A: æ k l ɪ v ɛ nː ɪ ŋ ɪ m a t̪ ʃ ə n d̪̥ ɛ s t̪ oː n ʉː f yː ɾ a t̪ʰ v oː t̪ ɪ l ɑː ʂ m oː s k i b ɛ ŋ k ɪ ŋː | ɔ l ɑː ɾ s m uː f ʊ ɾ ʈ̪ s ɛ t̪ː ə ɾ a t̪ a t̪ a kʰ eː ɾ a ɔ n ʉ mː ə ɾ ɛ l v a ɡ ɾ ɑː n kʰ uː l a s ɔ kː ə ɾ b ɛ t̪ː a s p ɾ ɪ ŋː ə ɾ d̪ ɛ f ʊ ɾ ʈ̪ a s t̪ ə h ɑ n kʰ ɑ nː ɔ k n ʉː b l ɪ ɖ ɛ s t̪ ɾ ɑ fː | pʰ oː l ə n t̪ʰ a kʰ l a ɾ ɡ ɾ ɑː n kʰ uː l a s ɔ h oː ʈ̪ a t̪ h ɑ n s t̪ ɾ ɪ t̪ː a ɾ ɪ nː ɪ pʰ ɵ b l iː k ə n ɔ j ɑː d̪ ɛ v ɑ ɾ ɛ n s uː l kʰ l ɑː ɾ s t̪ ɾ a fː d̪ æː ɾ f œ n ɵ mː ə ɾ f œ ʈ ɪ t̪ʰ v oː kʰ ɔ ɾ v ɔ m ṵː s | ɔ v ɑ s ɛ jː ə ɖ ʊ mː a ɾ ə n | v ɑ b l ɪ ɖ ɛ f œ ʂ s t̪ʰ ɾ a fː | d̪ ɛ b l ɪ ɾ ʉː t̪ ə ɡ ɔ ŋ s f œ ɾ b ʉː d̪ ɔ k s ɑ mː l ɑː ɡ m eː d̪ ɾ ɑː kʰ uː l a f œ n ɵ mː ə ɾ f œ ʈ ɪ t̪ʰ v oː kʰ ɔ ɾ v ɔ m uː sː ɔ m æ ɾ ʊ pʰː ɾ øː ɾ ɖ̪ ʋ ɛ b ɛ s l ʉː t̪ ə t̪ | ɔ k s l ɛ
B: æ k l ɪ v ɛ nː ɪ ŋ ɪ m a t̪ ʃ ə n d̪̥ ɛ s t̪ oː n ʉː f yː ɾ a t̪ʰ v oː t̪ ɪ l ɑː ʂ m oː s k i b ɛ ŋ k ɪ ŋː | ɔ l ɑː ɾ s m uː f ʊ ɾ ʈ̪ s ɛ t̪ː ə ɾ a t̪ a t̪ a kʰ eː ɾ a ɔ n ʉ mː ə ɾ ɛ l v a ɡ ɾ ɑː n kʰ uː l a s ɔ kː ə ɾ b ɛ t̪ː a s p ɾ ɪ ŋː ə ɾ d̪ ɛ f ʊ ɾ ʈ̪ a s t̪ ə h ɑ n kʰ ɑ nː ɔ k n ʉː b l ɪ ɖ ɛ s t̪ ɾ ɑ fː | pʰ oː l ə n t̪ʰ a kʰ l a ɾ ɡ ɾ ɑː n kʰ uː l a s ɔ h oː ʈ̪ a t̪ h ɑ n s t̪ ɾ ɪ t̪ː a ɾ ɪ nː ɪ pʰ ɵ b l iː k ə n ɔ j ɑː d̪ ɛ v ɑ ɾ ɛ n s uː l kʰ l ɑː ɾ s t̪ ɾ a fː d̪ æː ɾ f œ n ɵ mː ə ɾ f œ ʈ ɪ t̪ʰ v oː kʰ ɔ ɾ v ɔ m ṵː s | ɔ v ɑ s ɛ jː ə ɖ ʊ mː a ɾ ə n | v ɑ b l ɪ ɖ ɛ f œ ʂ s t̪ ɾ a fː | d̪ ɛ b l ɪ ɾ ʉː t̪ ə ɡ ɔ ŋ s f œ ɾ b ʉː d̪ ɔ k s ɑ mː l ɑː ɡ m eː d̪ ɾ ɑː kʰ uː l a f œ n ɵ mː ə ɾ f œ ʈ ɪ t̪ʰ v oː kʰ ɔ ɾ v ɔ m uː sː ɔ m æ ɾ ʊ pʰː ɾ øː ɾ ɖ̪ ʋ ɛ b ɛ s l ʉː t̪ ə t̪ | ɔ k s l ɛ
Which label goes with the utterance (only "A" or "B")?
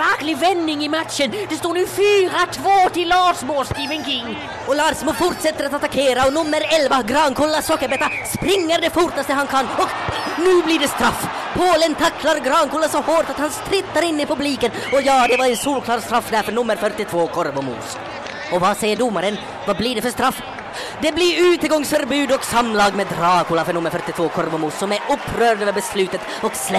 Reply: B